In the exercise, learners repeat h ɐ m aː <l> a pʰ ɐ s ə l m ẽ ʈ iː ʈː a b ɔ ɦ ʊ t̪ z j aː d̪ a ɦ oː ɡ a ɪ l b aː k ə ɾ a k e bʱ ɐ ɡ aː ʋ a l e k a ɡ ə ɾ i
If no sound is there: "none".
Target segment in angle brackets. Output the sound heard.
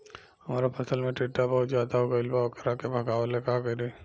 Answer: ɾ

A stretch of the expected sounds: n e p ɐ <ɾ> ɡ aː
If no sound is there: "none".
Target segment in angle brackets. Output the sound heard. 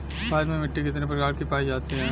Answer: ɾ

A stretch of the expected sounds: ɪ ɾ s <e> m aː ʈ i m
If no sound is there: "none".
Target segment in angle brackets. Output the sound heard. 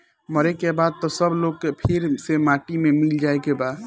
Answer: e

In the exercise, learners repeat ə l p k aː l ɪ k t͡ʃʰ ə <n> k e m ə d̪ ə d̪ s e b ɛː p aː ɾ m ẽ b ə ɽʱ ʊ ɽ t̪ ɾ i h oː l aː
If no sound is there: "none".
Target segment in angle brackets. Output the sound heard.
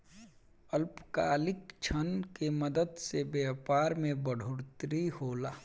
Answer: n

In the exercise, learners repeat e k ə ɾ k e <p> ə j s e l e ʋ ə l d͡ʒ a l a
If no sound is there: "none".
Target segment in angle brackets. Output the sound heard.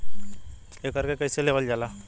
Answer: k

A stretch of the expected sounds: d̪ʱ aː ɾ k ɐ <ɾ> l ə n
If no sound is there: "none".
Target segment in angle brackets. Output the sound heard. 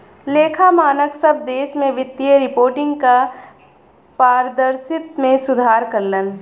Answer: ɾ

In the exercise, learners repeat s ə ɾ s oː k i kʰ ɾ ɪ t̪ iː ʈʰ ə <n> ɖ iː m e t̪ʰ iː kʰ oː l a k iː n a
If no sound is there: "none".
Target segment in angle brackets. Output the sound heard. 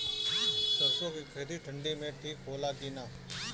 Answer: ɳ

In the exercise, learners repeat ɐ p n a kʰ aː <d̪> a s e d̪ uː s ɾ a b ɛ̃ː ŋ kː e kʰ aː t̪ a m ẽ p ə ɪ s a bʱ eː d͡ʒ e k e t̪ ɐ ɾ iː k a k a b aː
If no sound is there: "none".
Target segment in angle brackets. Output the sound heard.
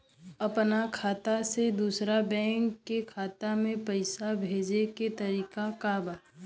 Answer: t̪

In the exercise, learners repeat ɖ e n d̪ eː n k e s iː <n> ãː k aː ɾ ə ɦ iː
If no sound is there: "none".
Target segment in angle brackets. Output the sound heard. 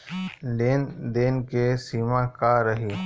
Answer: m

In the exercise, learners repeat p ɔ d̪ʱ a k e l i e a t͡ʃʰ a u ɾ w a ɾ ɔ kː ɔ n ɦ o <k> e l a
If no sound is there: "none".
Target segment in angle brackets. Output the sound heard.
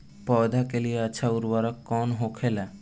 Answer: kʰ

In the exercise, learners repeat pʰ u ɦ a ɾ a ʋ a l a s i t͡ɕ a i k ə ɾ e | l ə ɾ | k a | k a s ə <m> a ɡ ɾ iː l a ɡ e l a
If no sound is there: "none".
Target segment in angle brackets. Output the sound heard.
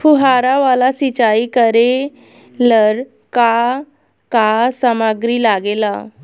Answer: m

